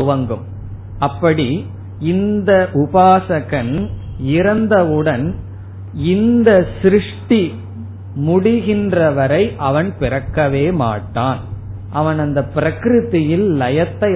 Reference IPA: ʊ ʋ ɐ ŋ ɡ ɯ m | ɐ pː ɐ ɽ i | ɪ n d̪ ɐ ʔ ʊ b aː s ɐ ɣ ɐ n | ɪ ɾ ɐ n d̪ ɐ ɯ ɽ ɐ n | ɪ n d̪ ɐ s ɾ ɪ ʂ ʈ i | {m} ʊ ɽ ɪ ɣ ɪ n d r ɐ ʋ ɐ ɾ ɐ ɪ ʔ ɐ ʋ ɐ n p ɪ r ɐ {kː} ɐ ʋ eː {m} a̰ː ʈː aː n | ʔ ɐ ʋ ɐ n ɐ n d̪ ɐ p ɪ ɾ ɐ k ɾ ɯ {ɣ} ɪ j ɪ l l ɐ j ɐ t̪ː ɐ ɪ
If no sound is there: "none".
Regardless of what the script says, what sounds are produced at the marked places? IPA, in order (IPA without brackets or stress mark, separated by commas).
m, kː, m, ð